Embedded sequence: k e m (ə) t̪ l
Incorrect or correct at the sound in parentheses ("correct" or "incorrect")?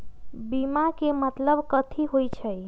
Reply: correct